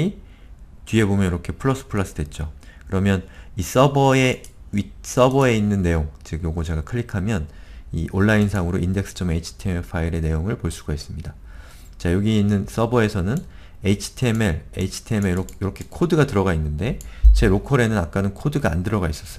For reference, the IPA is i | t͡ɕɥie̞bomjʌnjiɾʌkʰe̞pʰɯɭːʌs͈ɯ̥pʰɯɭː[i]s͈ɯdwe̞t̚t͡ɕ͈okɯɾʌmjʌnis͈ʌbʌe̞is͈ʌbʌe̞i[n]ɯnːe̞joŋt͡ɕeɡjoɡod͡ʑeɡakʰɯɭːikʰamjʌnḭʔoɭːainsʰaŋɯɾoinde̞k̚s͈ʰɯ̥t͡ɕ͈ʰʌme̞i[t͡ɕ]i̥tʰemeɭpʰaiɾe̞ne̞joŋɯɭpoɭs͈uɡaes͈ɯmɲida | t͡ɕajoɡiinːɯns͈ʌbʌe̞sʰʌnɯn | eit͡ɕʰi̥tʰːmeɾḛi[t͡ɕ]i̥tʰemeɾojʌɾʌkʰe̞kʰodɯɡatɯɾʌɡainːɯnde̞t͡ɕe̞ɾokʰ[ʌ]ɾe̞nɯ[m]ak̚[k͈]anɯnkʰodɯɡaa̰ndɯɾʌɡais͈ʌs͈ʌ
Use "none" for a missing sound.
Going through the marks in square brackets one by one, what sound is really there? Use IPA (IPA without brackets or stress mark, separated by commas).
a, nː, t͡ɕʰ, t͡ɕʰ, ʌ, n, k͈